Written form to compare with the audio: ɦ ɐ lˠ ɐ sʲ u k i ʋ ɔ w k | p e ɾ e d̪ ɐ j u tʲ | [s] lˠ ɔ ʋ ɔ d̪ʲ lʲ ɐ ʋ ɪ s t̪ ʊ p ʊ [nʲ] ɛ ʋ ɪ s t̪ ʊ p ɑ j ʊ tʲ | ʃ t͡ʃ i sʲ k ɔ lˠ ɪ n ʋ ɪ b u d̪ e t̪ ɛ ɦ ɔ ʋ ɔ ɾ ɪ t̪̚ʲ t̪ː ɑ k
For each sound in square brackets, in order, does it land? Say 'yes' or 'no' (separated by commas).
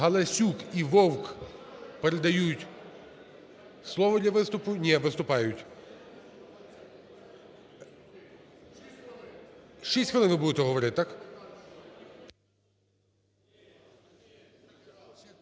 yes, yes